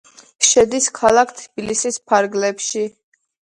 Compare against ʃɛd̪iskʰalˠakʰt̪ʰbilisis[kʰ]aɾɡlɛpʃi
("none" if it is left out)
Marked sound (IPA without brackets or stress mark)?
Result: pʰ